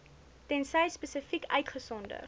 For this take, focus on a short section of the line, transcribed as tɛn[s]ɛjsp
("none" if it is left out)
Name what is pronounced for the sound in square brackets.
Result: s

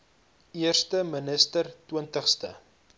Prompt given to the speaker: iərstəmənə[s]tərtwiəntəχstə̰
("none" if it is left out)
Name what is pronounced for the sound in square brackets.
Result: s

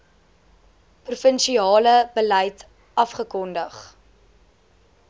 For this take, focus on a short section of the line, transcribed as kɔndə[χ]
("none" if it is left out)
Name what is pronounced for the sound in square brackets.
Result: χ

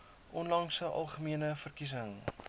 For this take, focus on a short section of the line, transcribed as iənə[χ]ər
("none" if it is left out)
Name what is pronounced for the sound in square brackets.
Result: f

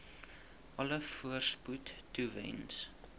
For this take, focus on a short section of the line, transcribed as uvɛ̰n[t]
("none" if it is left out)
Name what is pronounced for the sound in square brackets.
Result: s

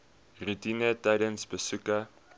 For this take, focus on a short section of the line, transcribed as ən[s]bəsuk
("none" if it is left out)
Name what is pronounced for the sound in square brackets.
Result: s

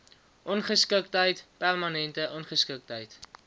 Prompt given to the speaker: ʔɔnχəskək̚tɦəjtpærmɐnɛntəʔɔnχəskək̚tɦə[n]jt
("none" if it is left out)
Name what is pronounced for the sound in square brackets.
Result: none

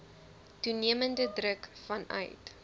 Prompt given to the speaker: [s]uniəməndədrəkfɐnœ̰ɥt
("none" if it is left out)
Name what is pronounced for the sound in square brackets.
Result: t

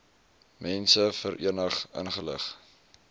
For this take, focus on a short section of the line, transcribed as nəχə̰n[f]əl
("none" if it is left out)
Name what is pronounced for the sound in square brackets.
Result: χ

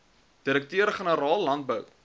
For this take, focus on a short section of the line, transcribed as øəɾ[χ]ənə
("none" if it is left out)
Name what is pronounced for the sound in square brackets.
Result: χ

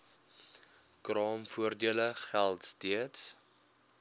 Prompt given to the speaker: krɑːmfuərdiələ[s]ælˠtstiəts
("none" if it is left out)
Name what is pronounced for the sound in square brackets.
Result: χ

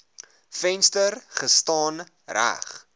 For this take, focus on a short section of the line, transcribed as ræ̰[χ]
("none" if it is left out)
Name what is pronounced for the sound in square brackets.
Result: χ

